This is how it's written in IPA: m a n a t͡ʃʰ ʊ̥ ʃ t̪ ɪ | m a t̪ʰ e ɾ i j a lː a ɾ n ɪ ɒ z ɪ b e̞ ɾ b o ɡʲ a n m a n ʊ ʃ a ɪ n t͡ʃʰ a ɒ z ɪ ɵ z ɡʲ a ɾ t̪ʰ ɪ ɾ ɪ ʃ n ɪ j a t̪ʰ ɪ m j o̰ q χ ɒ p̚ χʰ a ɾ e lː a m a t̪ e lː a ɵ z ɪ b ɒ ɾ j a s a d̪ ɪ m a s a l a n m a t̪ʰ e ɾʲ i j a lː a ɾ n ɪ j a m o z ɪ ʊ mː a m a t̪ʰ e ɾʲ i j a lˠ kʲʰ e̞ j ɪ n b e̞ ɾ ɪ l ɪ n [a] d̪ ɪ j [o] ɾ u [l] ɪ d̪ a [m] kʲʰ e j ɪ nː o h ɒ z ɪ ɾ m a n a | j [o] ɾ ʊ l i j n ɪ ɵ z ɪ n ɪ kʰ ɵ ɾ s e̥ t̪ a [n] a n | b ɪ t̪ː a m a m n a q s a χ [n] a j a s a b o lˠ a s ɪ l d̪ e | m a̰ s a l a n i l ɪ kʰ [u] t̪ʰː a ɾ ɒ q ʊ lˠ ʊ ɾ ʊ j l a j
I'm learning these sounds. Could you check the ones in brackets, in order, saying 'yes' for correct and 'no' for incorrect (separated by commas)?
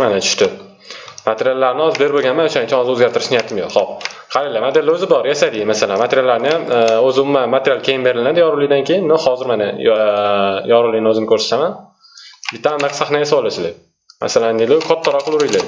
yes, no, yes, no, no, no, yes, no